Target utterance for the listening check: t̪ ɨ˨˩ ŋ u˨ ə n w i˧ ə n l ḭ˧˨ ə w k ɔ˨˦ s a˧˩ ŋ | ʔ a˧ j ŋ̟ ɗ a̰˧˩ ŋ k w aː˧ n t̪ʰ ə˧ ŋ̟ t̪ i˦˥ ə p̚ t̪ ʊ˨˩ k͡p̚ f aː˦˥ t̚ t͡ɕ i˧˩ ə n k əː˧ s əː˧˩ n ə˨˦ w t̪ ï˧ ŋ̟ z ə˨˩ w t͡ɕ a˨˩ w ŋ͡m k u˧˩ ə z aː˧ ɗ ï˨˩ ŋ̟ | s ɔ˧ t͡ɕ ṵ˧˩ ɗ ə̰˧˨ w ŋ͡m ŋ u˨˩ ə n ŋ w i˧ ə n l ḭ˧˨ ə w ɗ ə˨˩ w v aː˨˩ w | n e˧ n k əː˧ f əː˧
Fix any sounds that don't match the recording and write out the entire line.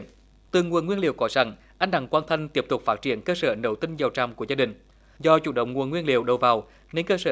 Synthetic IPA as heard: t̪ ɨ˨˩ ŋ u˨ ə n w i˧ ə n l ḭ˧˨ ə w k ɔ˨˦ s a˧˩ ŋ | ʔ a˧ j ŋ̟ ɗ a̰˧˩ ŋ k w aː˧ n t̪ʰ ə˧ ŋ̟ t̪ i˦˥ ə p̚ t̪ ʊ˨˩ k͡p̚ f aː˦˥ t̚ t͡ɕ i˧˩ ə n k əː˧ s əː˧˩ n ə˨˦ w t̪ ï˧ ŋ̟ z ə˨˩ w t͡ɕ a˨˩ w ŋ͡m k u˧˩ ə z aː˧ ɗ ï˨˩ ŋ̟ | z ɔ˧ t͡ɕ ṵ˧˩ ɗ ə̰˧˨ w ŋ͡m ŋ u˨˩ ə n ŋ w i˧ ə n l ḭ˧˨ ə w ɗ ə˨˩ w v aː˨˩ w | n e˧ n k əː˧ s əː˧